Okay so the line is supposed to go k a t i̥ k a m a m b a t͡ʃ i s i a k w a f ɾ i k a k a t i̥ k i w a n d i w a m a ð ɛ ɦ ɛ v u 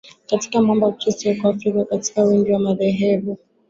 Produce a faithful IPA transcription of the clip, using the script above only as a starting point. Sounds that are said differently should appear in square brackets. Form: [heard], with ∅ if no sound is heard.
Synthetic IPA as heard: k a t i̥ k a m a m b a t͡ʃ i s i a k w a f ɾ i k a k a t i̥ k [a] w [i] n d i w a m a ð ɛ ɦ ɛ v u